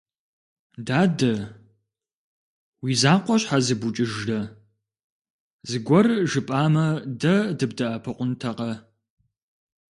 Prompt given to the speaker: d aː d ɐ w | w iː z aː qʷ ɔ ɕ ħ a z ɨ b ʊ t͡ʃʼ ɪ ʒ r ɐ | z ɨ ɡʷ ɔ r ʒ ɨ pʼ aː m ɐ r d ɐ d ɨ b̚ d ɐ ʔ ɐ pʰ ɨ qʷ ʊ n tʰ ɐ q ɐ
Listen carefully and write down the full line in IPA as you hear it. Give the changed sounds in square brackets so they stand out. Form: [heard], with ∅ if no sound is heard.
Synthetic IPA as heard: d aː d ɐ [∅] | w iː z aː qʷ ɔ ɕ ħ a z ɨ b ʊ t͡ʃʼ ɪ ʒ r ɐ | z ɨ ɡʷ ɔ r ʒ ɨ pʼ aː m ɐ [∅] d ɐ d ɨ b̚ d ɐ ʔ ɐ pʰ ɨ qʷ ʊ n tʰ ɐ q ɐ